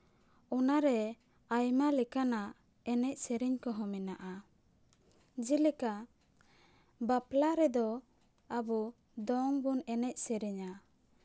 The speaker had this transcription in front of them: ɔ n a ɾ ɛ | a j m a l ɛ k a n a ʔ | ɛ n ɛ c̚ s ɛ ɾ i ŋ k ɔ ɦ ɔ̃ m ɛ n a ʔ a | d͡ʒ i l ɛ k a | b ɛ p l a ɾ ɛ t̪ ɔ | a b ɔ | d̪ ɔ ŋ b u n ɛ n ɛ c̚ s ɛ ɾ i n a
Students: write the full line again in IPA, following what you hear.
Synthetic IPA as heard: ɔ n a ɾ ɛ | a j m a l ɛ k a n a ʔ | ɛ n ɛ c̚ s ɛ ɾ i ɲ k ɔ ɦ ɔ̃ m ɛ n a ʔ a | d͡ʒ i l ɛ k a | b a p l a ɾ ɛ d̪ ɔ | a b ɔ | d̪ ɔ ŋ b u n ɛ n ɛ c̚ s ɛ ɾ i ɲ a